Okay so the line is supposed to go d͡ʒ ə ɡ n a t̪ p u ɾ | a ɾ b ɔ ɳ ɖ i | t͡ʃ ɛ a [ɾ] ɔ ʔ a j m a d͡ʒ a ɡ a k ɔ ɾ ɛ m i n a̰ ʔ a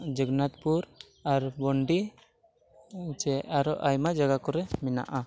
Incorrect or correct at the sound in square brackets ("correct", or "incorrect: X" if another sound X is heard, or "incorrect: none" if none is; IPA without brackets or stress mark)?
correct